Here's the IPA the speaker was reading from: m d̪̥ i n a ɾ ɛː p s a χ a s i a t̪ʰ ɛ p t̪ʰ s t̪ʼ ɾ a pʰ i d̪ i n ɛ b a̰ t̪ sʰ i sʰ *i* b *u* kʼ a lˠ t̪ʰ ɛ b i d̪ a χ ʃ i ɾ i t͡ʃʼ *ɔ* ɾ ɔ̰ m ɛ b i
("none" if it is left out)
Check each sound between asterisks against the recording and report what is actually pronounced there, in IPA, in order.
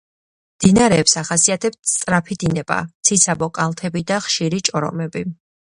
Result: a, ɔ, ɔ

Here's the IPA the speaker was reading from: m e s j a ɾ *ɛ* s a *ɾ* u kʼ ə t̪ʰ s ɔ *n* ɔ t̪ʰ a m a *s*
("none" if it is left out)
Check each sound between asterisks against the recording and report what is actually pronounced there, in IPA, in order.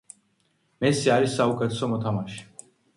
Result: i, none, m, ʃ

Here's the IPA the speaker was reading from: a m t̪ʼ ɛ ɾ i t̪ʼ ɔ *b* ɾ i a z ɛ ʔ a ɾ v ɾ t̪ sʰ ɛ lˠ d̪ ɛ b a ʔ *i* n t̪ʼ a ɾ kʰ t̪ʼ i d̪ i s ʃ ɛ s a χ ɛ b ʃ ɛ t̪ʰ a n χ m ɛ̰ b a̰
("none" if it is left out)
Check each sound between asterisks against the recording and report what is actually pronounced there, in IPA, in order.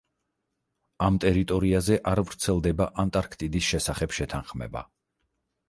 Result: none, a

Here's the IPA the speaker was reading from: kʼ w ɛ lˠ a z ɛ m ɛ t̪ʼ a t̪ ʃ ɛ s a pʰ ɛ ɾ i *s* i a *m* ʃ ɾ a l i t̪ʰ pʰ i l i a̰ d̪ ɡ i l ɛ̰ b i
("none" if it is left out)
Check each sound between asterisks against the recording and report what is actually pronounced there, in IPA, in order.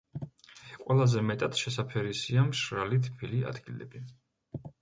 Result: s, m

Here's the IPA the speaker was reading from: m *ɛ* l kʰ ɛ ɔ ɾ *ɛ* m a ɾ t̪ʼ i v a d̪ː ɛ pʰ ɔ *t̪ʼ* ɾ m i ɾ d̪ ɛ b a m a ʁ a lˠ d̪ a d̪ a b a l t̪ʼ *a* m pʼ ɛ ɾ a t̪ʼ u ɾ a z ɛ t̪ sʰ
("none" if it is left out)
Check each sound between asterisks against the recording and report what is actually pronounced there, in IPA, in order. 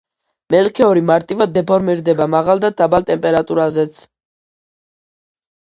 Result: ɛ, i, none, ɛ

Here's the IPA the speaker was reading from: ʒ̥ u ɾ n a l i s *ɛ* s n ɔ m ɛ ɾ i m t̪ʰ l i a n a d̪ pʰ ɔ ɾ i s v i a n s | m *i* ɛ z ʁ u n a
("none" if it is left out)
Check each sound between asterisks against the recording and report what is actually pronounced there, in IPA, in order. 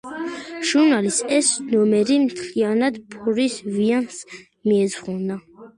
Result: ɛ, i

